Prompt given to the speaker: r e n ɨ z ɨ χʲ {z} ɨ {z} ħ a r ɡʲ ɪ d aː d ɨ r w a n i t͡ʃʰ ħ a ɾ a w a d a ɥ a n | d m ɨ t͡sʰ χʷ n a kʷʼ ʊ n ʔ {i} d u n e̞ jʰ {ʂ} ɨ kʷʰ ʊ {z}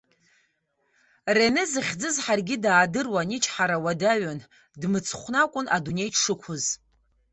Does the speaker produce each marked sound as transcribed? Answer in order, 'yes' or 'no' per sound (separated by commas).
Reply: no, yes, no, yes, yes